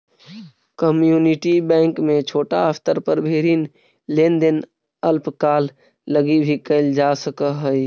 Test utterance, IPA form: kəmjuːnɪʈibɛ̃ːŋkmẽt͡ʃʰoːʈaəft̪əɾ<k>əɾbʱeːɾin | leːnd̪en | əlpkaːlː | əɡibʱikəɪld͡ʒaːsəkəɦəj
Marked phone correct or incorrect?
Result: incorrect